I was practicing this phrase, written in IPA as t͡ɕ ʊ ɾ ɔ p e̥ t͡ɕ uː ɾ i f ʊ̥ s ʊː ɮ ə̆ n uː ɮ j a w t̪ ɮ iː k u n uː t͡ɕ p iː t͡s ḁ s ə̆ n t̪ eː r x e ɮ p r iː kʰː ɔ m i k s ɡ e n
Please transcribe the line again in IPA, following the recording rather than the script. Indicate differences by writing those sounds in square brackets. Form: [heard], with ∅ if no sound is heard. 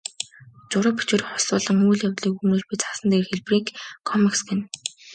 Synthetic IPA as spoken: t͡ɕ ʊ ɾ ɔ p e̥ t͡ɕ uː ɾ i [χ] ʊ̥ s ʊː ɮ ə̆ [ŋ] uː ɮ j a w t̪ ɮ iː k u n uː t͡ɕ p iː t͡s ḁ s ə̆ n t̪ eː r x e ɮ p r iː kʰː ɔ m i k s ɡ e n